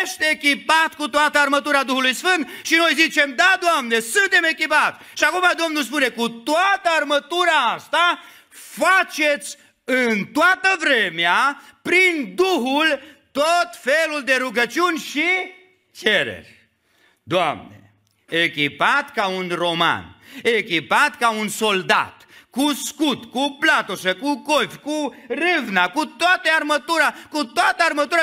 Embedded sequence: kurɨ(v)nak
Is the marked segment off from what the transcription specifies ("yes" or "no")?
no